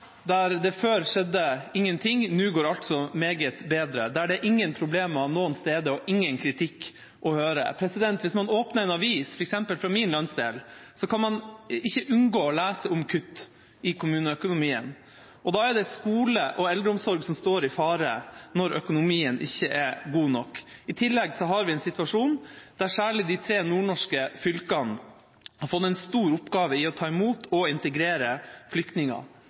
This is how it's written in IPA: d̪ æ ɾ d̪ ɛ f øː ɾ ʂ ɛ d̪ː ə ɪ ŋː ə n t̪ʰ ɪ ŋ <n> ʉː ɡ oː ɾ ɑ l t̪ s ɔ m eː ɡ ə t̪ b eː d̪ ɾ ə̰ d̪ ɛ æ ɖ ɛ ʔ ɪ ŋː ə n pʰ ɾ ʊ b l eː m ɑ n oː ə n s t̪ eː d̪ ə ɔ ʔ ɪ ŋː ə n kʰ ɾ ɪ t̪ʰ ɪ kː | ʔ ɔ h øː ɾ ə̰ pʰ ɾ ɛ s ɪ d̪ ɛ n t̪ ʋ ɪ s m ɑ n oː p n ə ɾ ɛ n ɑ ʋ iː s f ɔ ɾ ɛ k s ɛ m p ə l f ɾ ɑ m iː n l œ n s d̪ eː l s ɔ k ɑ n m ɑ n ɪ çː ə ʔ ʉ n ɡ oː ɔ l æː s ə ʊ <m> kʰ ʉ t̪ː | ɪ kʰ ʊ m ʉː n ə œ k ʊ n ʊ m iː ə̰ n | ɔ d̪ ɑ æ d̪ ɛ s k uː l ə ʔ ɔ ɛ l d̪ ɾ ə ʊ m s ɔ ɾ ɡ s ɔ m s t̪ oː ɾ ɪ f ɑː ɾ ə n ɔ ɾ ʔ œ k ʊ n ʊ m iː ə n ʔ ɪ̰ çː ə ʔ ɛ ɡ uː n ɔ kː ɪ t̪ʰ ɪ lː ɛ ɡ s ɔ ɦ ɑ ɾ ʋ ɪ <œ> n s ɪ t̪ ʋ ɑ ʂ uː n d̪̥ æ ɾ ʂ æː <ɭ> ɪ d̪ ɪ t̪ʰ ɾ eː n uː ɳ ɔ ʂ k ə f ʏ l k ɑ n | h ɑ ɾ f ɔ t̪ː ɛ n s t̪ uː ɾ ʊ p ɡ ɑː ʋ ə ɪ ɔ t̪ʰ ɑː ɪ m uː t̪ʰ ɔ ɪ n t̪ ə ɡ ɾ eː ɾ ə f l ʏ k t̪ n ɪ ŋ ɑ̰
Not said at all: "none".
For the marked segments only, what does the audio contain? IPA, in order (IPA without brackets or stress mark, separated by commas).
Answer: n, m, ɛ, ɭ